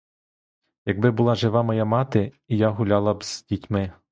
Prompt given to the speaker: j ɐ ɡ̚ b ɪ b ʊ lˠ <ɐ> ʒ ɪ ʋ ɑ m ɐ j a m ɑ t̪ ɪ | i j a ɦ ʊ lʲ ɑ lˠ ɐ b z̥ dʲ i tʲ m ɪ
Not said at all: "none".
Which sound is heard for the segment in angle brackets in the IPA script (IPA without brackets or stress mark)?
ɑ